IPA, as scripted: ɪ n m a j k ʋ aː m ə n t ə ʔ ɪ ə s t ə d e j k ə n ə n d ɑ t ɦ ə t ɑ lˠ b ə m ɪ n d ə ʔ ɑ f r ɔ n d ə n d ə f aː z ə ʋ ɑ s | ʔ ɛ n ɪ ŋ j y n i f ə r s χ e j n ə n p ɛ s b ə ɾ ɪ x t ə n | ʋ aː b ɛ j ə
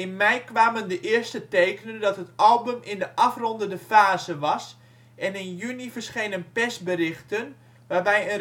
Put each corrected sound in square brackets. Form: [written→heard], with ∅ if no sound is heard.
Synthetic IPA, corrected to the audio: ɪ n m [a→ɛ] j k ʋ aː m ə n [t→d] ə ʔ ɪ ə s t ə [d→t] e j k ə n ə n d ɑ t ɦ ə t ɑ lˠ b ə m ɪ n d ə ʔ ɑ f r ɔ n d ə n d ə f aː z ə ʋ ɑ s | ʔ ɛ n ɪ [ŋ→n] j y n i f ə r s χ e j n ə n p ɛ s b ə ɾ ɪ x t ə n | ʋ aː b ɛ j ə